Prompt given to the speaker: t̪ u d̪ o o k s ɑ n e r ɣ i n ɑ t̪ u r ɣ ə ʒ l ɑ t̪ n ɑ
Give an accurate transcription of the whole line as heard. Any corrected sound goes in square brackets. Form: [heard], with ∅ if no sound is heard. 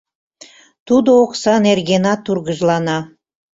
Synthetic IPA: t̪ u d̪ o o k s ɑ n e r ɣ [e] n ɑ t̪ u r ɣ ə ʒ l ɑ [∅] n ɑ